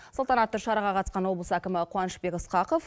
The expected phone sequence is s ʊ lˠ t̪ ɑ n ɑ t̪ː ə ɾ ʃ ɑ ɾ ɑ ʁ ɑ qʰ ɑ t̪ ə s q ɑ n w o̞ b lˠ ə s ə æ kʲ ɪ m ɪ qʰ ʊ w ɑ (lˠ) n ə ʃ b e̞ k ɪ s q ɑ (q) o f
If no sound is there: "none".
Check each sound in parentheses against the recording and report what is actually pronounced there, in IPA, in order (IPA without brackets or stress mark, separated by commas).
none, q